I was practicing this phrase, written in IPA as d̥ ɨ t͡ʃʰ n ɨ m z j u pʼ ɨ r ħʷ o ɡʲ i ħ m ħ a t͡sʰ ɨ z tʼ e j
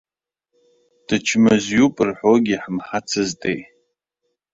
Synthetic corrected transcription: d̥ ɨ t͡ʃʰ m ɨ z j u pʼ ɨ r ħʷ o ɡʲ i ħ m ħ a t͡sʰ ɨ z tʼ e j